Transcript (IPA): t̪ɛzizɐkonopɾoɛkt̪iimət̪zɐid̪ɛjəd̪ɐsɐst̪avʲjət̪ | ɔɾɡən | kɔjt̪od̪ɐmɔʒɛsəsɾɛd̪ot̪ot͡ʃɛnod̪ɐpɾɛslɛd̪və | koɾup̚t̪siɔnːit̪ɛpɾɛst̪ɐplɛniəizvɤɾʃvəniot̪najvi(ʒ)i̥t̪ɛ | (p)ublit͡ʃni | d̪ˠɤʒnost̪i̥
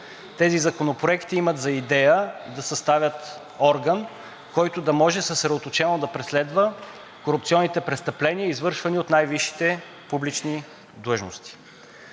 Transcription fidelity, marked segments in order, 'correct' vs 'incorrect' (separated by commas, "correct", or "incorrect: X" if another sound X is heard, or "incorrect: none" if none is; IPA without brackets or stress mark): incorrect: ʃ, correct